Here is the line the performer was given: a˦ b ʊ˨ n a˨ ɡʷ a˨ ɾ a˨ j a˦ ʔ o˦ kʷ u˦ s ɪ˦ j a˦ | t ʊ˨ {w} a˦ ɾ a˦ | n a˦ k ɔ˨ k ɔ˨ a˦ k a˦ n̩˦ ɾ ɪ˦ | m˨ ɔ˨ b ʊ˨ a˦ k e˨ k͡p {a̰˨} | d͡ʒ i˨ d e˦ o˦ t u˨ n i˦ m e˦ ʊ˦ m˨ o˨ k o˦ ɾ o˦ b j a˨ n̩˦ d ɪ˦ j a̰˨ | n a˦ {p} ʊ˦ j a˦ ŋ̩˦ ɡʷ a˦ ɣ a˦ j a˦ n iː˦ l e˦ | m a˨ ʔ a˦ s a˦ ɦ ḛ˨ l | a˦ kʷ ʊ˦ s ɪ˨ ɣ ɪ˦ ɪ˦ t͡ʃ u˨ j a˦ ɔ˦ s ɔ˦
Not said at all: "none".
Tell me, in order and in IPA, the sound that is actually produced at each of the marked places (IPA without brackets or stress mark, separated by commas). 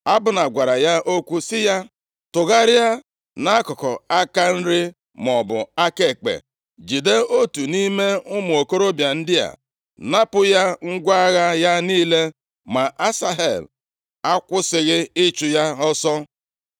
ɣ, ḛ˨, p